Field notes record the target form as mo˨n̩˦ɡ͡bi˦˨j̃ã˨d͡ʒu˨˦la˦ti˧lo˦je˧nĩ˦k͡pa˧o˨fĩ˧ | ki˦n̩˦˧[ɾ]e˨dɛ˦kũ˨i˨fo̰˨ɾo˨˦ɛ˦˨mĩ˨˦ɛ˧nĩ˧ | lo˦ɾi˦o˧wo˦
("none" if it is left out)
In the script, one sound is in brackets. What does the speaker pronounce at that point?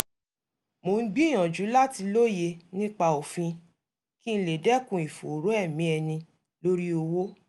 l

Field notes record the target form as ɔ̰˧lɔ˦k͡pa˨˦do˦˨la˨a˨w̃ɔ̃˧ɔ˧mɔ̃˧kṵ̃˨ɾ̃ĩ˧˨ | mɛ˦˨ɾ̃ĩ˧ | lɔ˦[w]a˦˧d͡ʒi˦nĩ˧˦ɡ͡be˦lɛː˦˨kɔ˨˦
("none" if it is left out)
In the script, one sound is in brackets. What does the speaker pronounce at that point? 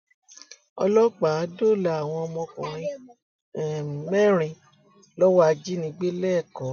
w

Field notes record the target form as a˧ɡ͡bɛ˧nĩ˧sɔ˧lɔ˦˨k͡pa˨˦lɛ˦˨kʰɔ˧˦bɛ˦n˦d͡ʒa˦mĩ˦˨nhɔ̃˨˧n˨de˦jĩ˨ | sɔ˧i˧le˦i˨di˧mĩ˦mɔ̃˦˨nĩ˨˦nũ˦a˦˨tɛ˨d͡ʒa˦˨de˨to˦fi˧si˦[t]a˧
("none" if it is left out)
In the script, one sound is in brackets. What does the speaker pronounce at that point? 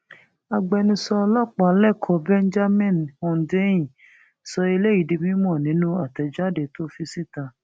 t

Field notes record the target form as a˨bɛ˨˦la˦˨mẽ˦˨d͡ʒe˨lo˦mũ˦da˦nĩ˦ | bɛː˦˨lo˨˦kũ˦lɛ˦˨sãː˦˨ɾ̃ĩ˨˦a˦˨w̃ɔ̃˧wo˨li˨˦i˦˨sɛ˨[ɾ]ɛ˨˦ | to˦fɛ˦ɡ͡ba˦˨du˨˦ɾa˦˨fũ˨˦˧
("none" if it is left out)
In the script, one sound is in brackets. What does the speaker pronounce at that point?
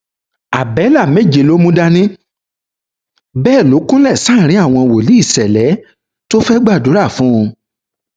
l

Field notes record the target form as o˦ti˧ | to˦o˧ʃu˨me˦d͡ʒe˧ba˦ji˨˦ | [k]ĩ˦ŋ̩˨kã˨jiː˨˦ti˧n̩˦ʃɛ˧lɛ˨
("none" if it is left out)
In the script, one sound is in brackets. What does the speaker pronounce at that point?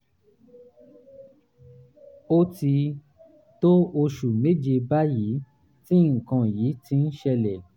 t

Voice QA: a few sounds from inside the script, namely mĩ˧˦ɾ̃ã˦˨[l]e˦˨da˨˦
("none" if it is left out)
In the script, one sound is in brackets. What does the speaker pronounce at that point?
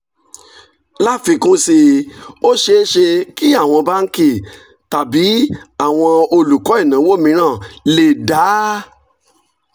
l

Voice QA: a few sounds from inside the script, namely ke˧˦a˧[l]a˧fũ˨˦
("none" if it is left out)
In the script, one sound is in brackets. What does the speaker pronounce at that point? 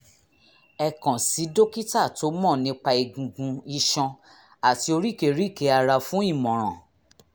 ɾ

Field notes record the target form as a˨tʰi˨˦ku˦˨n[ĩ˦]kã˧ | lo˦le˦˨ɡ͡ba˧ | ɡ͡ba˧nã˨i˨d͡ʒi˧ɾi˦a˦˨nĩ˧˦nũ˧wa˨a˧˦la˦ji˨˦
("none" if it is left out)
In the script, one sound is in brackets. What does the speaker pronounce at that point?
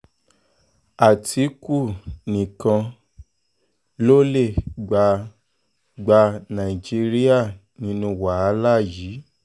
ĩ˨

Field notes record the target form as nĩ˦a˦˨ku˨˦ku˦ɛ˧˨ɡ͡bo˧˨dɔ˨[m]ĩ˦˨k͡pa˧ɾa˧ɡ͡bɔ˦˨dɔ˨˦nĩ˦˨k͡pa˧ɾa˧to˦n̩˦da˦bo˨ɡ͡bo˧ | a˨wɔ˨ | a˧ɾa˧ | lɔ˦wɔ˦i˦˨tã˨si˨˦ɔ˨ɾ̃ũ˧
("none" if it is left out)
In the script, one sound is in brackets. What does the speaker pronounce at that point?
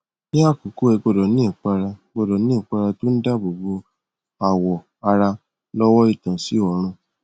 n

